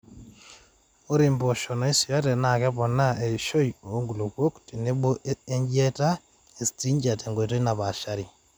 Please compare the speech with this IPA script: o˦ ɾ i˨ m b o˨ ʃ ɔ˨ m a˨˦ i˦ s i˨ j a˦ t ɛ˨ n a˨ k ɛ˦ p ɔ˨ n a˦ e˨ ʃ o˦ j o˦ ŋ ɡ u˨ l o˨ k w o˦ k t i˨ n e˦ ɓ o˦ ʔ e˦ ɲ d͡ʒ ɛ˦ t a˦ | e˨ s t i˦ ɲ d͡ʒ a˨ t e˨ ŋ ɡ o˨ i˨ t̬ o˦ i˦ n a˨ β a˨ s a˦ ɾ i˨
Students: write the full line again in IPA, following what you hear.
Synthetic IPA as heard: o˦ ɾ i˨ m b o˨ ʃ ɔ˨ n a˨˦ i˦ s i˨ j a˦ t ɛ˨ n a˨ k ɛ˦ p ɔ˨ n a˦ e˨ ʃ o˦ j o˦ ŋ ɡ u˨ l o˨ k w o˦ k t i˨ n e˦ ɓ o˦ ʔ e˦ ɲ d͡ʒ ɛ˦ t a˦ | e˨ s t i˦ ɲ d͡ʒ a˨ t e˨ ŋ ɡ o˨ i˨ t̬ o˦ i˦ n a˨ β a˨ ʃ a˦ ɾ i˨